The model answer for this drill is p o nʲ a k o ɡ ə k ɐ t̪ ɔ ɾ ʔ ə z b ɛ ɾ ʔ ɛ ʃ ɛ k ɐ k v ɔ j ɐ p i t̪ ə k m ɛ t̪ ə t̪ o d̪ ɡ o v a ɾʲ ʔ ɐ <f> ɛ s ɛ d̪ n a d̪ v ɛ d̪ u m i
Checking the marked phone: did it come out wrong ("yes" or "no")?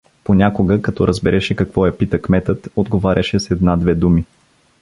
yes